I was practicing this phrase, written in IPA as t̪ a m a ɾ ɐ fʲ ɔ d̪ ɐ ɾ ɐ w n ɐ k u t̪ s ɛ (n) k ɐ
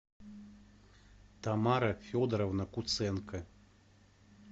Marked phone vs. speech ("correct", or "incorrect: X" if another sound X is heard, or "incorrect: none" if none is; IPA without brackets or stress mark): correct